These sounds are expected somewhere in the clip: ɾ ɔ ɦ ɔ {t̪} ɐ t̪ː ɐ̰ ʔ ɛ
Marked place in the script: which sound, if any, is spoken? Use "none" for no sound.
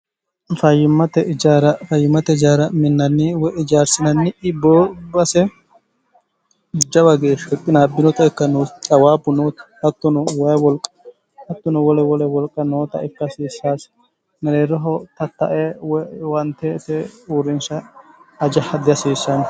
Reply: t̪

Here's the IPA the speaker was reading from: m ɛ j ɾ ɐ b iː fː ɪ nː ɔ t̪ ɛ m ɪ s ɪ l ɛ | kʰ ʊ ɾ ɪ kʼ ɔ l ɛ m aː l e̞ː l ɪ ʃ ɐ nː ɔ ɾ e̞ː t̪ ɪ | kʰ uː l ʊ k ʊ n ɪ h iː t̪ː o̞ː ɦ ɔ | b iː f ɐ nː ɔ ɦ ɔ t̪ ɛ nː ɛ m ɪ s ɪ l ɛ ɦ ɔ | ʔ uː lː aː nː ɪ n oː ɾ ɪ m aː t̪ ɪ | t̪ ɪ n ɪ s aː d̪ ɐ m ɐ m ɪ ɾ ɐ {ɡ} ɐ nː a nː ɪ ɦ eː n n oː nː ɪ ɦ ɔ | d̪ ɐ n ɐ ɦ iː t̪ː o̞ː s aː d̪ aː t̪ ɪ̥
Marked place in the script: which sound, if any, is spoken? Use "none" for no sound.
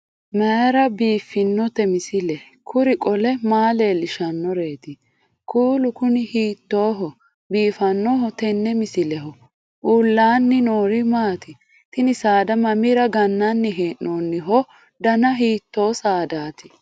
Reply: ɡ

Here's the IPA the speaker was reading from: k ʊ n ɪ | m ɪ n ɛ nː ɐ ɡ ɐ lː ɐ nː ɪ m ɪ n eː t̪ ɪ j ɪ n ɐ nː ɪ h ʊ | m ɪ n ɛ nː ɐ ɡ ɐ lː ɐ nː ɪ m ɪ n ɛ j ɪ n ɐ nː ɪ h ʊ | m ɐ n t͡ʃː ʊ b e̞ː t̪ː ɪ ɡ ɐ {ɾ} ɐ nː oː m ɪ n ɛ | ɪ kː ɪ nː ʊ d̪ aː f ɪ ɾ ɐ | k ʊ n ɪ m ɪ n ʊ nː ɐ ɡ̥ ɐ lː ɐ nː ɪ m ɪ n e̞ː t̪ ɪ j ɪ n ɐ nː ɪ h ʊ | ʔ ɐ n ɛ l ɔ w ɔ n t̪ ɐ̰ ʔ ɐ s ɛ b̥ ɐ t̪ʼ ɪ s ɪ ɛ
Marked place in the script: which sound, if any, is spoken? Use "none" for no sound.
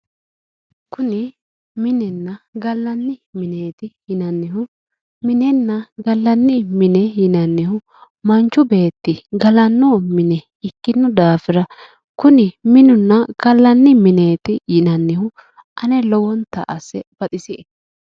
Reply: l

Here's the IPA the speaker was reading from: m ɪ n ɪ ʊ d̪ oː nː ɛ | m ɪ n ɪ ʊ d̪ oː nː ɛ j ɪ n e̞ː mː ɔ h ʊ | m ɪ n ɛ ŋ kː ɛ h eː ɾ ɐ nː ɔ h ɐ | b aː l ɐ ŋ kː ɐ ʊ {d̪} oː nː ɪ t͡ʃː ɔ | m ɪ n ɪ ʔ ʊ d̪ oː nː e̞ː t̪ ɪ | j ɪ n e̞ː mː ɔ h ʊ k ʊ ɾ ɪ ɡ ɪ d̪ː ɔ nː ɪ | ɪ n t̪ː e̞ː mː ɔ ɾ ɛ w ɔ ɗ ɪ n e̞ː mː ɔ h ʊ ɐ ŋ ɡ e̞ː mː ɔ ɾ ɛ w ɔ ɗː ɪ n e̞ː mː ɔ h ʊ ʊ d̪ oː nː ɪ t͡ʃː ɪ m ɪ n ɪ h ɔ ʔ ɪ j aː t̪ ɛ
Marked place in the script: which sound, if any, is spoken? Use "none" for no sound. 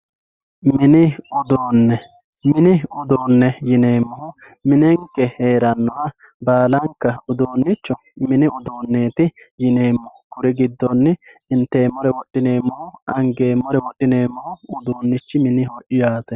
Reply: d̪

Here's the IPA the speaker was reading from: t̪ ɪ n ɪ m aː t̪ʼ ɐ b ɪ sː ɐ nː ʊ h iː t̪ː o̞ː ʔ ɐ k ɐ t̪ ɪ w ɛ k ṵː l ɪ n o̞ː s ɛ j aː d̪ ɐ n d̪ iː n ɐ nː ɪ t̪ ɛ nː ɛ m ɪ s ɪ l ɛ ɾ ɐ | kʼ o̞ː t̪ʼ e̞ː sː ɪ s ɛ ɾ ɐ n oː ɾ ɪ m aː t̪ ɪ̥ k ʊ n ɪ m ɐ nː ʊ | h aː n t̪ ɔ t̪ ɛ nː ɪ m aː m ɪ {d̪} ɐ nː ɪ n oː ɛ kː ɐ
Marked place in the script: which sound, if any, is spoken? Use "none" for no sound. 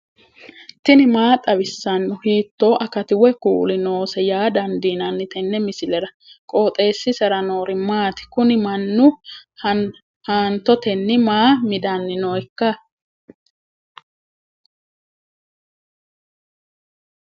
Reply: d̪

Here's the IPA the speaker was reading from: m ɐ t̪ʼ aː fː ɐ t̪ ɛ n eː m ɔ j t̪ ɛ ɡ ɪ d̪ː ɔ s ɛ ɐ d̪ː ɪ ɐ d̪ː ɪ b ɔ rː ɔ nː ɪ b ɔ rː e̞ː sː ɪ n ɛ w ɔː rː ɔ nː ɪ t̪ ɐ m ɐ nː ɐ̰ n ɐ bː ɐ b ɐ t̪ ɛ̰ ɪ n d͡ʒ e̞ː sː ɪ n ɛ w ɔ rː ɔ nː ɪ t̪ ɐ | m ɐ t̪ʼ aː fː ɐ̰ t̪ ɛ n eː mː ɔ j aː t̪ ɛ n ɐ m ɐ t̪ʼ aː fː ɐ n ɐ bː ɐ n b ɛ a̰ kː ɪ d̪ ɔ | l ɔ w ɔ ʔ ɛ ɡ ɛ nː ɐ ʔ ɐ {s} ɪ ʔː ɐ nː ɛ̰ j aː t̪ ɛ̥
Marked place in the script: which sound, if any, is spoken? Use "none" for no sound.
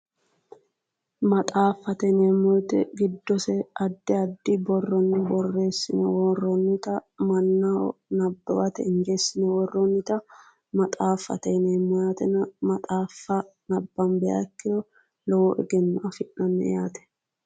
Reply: f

